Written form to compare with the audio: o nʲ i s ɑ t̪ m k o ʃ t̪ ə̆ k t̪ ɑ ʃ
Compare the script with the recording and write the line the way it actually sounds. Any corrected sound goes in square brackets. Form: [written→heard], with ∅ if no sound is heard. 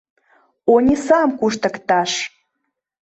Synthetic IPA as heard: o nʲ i s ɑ [t̪→∅] m k [o→u] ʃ t̪ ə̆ k t̪ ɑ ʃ